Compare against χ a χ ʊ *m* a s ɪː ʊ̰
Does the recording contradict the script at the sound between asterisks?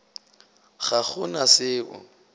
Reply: yes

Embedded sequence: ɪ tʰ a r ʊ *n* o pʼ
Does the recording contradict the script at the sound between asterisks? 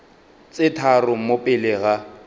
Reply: yes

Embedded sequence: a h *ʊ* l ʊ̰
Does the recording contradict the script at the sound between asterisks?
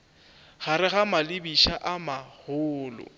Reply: yes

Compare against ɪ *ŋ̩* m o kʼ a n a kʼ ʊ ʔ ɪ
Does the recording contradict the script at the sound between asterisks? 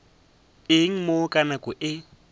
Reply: no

